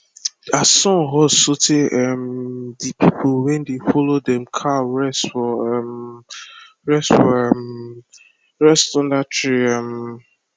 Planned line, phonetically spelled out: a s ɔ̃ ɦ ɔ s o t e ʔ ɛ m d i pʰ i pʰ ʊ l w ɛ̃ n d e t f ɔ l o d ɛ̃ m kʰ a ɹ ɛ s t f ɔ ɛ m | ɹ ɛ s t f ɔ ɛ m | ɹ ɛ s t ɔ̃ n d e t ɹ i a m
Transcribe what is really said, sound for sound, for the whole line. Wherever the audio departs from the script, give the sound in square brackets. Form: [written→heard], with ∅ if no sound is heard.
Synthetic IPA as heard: a s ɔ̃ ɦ ɔ s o t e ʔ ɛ m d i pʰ i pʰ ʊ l w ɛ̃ n d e [t→∅] f ɔ l o d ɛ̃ m kʰ a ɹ ɛ s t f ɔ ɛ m | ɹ ɛ s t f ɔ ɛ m | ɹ ɛ s t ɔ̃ n d [e→a] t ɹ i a m

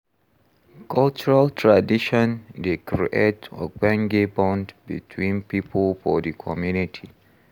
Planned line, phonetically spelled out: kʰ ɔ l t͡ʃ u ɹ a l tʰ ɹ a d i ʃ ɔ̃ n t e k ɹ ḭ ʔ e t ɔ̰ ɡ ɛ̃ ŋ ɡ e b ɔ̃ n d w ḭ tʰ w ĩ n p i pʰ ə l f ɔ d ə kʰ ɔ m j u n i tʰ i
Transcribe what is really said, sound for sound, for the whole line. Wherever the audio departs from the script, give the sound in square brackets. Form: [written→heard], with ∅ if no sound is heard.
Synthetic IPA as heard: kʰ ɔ l t͡ʃ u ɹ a l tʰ ɹ a d i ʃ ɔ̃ n [t→d] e k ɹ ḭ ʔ e t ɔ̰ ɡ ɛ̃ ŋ ɡ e b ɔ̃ n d [w→b] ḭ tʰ w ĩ n p i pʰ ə l f ɔ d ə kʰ ɔ m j u n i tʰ i

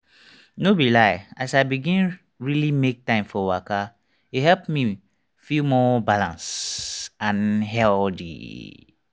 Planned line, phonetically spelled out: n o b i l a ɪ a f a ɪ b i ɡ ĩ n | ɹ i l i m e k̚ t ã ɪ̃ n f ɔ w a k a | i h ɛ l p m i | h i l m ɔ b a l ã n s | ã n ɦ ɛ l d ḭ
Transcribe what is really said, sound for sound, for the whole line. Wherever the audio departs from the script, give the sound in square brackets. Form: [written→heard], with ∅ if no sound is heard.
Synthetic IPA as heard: n o b i l a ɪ a [f→s] a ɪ b i ɡ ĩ n | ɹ i l i m e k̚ t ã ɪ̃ [n→m] f ɔ w a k a | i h ɛ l p m i | [h→f] i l m ɔ b a l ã n s | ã n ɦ ɛ l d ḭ

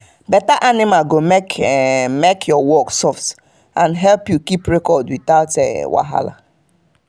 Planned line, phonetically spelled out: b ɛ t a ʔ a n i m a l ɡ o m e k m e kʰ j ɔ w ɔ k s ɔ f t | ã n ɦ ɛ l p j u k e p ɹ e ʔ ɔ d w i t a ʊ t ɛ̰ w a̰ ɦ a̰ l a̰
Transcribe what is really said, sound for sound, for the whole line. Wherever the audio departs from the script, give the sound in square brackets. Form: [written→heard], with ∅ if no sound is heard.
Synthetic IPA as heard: b ɛ t a ʔ a n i m a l ɡ o m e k m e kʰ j ɔ w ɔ k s ɔ f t | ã n ɦ ɛ l p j u k [e→i] p ɹ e [ʔ→k] ɔ d w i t a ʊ t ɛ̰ w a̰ ɦ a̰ l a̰

